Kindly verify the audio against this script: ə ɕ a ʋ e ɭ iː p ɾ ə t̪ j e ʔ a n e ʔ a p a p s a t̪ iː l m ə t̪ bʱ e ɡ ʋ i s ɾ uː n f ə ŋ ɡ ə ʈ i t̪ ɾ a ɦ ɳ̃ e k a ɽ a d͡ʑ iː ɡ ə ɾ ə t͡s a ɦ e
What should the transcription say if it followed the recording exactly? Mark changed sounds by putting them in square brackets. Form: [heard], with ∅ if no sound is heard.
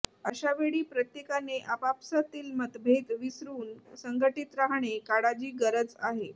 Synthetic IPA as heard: ə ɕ a ʋ e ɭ iː p ɾ ə t̪ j e [k] a n e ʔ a p a p s a t̪ iː l m ə t̪ bʱ e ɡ ʋ i s ɾ uː n [s] ə ŋ ɡ ə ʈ i t̪ ɾ a ɦ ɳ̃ e k a ɽ a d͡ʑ iː ɡ ə ɾ ə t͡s a ɦ e